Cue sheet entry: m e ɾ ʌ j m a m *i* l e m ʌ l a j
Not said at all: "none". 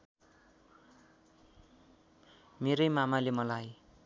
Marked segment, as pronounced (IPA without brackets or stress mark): a